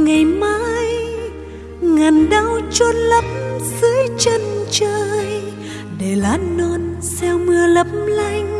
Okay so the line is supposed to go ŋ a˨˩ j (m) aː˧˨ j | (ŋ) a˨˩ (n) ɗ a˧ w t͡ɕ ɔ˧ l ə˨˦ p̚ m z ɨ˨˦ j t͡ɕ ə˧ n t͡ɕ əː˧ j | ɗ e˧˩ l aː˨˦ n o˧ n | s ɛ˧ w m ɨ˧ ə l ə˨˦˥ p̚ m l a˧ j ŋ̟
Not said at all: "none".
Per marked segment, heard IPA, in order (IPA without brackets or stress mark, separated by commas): m, ŋ, n